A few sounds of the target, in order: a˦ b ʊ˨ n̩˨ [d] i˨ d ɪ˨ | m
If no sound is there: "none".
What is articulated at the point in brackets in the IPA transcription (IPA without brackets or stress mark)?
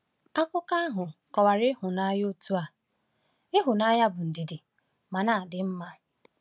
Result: d